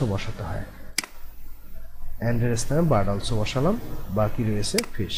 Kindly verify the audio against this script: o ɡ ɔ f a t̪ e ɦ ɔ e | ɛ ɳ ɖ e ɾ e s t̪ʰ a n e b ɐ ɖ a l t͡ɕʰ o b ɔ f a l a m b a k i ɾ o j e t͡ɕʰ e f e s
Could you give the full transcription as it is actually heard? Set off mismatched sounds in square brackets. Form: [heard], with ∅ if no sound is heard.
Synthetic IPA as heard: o [b] ɔ [ʃ] a t̪ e ɦ ɔ e | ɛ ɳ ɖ e ɾ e s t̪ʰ a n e b [a] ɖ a l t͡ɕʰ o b ɔ [ʃ] a l a m b a k i ɾ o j e t͡ɕʰ e f e [ʃ]